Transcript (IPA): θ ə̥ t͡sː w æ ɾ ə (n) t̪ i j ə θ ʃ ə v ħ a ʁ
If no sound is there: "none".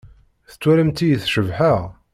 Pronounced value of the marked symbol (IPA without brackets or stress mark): m